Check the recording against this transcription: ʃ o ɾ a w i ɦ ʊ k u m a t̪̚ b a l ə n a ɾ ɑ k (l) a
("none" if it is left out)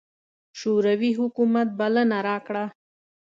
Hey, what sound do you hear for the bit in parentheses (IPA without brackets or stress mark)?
ɽ